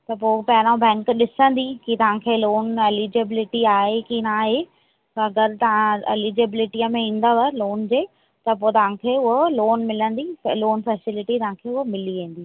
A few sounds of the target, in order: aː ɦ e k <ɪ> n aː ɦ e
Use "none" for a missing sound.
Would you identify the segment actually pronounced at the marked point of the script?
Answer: i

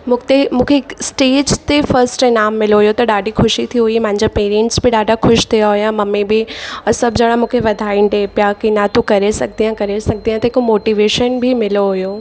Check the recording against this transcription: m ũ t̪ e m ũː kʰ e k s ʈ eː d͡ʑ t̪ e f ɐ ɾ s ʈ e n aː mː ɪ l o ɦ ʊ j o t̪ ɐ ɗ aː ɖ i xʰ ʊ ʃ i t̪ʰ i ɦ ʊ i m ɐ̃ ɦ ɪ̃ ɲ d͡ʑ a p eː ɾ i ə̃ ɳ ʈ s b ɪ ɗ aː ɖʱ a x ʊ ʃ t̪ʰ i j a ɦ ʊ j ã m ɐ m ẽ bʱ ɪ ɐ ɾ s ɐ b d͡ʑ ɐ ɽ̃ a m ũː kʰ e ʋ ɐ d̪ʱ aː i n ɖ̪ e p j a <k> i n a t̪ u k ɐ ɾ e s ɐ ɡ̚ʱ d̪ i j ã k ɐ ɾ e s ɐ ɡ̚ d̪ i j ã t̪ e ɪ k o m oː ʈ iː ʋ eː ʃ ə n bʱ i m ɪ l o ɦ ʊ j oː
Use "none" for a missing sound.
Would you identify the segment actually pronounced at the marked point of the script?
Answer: k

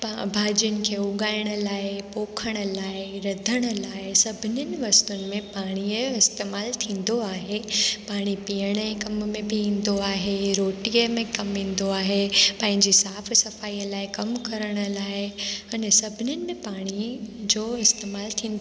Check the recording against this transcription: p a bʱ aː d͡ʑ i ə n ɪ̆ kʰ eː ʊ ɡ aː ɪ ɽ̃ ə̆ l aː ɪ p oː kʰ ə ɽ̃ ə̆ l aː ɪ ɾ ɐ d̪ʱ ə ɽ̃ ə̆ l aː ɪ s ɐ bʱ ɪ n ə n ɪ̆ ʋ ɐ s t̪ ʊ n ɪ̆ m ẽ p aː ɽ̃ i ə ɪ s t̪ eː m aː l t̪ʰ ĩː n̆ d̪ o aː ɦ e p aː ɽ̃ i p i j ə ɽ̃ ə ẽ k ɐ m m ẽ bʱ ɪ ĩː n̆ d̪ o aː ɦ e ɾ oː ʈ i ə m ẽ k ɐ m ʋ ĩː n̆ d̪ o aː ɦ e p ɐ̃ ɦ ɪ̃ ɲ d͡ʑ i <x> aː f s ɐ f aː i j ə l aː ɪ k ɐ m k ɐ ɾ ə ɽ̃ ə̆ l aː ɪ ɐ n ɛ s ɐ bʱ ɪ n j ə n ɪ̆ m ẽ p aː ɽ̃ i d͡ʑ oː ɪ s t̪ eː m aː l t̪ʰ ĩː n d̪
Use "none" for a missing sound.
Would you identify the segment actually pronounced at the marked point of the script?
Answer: s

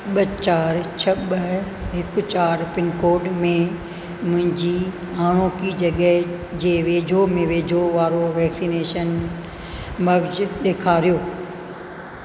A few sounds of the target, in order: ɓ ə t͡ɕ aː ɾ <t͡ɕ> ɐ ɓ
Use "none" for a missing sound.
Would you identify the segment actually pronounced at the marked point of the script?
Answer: t͡ɕʰ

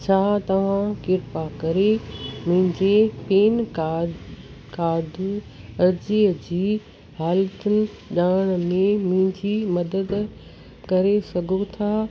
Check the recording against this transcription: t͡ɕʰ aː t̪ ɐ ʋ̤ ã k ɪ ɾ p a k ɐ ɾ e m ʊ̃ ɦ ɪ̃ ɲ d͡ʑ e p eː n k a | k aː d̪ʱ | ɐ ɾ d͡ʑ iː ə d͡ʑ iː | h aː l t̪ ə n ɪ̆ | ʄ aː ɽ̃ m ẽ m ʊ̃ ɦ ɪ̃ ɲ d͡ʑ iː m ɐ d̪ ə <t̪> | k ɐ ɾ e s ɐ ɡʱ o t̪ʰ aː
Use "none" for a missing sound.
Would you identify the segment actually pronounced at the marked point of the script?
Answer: d̪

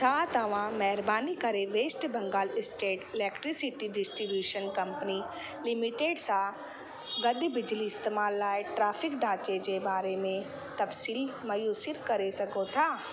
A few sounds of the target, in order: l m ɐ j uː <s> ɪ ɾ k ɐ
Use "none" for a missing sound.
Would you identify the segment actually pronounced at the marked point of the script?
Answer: s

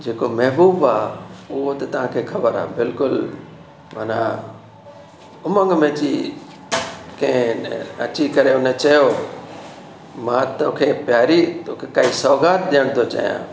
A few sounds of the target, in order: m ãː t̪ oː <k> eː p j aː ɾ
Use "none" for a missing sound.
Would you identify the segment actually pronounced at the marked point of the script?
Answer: kʰ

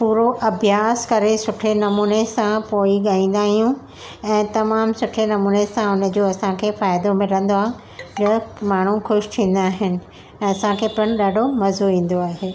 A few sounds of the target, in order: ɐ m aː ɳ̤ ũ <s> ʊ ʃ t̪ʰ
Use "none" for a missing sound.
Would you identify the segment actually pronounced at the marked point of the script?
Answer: x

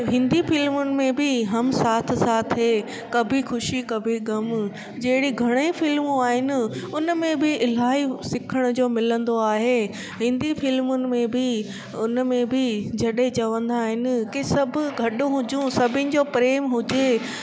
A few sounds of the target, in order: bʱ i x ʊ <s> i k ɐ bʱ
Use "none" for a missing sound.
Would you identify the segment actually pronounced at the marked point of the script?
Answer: ʃ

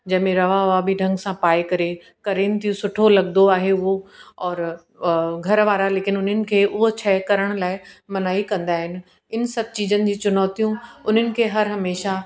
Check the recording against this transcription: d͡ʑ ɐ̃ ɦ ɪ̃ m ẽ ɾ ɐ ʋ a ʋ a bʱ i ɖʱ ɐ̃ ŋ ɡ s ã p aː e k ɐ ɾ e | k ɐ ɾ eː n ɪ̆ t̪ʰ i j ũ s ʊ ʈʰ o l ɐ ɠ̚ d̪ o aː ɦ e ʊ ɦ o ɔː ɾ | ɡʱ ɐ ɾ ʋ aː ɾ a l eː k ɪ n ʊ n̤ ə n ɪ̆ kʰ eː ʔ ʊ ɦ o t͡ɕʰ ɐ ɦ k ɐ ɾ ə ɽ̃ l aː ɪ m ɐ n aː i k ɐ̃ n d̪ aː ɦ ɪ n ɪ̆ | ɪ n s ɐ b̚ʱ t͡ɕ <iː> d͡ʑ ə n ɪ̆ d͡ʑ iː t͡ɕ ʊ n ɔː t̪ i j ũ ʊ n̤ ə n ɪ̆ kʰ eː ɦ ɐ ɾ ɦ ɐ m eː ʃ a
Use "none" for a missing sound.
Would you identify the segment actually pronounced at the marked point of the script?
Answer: iː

